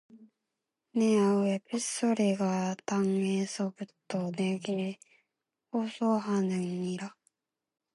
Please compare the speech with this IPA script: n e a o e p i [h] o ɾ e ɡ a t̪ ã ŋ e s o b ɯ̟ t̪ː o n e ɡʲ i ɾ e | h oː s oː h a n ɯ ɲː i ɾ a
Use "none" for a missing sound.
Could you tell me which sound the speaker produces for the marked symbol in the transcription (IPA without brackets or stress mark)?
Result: s